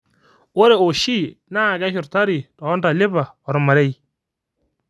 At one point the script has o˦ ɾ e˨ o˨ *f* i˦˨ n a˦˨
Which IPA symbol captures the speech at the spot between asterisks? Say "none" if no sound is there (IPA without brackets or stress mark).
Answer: ʃ